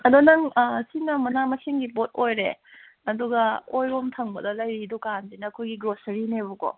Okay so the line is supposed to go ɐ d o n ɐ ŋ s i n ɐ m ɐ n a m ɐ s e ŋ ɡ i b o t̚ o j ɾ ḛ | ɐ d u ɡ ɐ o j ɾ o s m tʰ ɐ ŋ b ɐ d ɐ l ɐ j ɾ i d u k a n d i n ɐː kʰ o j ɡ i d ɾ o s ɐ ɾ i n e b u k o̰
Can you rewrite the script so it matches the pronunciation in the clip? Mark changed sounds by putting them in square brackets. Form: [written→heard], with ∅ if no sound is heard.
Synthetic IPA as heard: ɐ d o n ɐ ŋ s i n ɐ m ɐ n a m ɐ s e ŋ ɡ i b o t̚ o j ɾ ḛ | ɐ d u ɡ ɐ o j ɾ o [s→∅] m tʰ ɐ ŋ b ɐ d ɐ l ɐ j ɾ i d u k a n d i n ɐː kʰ o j ɡ i [d→ɡ] ɾ o s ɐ ɾ i n e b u k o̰